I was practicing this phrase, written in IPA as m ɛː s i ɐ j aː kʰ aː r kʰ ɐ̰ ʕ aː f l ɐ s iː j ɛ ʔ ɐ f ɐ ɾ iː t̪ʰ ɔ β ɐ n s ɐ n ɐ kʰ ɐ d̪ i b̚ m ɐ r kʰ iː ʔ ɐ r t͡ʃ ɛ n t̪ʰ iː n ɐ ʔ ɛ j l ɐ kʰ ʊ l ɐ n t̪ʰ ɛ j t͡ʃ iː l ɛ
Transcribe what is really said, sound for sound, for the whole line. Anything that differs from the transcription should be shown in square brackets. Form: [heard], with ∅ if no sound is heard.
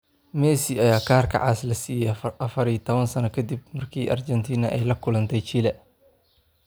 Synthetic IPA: m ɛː s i ɐ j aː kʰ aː r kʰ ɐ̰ ʕ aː [s] l ɐ s iː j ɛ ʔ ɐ f ɐ ɾ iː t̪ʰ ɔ β ɐ n s ɐ n ɐ kʰ ɐ d̪ i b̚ m ɐ r kʰ iː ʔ ɐ r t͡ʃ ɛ n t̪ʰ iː n ɐ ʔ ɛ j l ɐ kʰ ʊ l ɐ n t̪ʰ ɛ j t͡ʃ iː l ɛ